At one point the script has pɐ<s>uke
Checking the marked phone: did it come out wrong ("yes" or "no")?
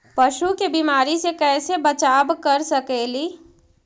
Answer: yes